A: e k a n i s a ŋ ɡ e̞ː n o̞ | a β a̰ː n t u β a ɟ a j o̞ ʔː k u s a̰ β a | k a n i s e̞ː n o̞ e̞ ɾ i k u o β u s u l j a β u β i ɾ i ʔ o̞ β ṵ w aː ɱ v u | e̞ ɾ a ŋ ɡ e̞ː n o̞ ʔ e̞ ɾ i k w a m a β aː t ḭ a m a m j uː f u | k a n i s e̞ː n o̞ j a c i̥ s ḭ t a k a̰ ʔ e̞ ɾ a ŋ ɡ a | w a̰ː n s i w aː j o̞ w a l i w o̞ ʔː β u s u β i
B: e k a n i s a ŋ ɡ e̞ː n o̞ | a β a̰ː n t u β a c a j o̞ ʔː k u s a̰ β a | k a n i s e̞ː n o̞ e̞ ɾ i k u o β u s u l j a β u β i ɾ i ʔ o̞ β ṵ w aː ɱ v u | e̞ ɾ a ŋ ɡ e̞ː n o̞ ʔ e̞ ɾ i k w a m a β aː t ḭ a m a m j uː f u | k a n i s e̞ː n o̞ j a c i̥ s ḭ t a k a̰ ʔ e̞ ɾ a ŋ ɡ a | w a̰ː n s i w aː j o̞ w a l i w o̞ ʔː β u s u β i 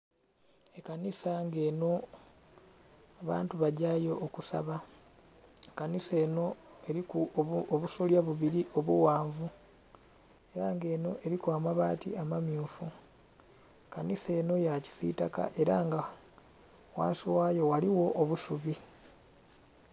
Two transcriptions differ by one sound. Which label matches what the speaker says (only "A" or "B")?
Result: A